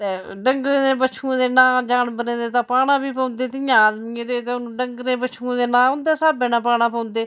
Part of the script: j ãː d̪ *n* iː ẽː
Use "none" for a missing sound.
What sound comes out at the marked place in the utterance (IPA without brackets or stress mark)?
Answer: m